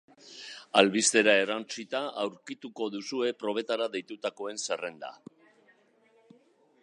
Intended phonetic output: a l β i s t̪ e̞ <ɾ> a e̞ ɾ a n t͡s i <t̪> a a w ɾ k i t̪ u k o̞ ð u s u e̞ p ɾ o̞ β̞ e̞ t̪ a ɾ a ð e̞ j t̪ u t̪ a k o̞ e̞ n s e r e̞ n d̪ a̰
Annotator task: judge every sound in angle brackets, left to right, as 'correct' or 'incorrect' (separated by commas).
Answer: correct, correct